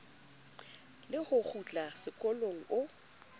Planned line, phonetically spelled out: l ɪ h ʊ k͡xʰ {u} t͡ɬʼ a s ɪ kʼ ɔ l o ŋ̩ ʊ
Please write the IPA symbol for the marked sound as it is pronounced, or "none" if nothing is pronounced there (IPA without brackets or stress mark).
u